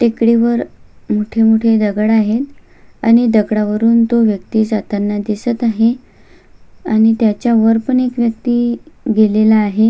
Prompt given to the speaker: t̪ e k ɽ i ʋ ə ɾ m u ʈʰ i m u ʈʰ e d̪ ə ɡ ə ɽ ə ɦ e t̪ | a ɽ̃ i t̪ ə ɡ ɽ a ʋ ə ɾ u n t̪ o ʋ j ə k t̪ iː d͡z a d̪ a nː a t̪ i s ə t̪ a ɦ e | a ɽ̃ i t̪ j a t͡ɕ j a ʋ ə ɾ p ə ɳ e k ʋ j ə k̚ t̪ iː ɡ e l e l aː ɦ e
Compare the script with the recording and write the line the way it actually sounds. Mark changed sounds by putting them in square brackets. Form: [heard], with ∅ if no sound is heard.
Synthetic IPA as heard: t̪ e k ɽ i ʋ ə ɾ m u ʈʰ [e] m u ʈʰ e d̪ ə ɡ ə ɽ [a] ɦ e t̪ | a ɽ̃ i [d̪] ə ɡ ɽ a ʋ ə ɾ [uː] n t̪ o ʋ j ə k t̪ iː d͡z a [t̪] a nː a [d̪] i s ə t̪ a ɦ e | a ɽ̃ i t̪ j a t͡ɕ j a ʋ ə ɾ p ə ɳ e k ʋ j ə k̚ t̪ iː ɡ e l e l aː ɦ e